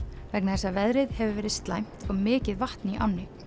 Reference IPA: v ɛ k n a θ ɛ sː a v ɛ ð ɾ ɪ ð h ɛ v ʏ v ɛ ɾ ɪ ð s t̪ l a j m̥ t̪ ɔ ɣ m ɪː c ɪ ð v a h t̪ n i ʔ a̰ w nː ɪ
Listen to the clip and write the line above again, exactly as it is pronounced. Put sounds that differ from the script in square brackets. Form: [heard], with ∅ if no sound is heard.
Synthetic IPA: v ɛ k n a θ ɛ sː a v ɛ ð ɾ ɪ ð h ɛ v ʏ v [ɛː] ɾ ɪ ð s t̪ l a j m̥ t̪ ɔ ɣ m ɪː c ɪ ð v a h t̪ n i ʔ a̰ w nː ɪ